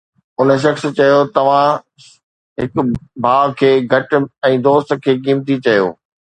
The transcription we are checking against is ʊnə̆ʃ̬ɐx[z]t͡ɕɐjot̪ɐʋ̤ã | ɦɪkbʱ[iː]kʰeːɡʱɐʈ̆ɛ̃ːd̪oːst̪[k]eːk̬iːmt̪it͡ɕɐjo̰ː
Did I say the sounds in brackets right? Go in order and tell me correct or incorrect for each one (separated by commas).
incorrect, incorrect, incorrect